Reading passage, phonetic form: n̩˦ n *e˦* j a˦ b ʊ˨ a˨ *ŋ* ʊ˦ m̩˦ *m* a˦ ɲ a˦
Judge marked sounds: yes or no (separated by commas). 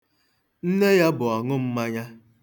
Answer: yes, yes, yes